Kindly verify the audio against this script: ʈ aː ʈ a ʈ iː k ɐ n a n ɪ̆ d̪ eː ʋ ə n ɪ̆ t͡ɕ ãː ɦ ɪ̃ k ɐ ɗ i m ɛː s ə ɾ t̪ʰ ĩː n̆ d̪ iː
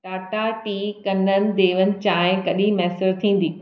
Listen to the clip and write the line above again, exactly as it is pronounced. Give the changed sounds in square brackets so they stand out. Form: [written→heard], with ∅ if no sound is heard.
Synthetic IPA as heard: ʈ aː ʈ a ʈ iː k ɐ n [a→ə] n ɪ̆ d̪ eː ʋ ə n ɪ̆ t͡ɕ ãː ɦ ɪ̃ k ɐ ɗ i m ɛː s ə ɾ t̪ʰ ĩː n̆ d̪ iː